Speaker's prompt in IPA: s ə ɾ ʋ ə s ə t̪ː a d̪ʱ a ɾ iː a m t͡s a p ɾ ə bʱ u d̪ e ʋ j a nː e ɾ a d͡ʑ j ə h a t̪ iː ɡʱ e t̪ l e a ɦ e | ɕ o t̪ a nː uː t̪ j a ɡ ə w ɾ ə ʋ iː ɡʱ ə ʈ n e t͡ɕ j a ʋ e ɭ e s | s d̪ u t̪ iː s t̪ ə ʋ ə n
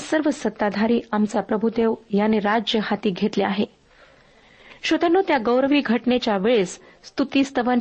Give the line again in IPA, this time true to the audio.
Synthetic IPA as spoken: s ə ɾ ʋ ə s ə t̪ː a d̪ʱ a ɾ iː a m t͡s a p ɾ ə bʱ u d̪ e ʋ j a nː e ɾ a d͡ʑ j ə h a t̪ iː ɡʱ e t̪ l e a ɦ e | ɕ o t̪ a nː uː t̪ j a ɡ ə w ɾ ə ʋ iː ɡʱ ə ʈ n e t͡ɕ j a ʋ e ɭ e s | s t̪ u t̪ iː s t̪ ə ʋ ə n